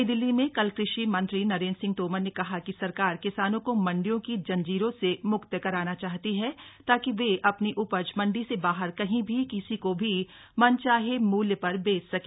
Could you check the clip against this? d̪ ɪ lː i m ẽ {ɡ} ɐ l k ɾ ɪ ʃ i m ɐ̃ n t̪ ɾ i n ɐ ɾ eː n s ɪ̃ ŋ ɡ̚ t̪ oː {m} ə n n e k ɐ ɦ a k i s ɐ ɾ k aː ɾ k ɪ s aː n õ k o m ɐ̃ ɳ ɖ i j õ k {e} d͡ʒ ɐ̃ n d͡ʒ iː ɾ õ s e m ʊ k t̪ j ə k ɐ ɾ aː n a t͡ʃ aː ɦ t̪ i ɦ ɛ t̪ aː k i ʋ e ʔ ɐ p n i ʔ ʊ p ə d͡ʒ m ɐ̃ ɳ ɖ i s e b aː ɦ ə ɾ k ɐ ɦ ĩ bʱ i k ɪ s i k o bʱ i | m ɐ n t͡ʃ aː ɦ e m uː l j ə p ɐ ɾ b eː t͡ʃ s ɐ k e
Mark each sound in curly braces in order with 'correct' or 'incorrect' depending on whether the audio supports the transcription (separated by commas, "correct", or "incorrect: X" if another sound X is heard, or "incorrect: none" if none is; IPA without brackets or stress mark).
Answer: incorrect: k, correct, incorrect: i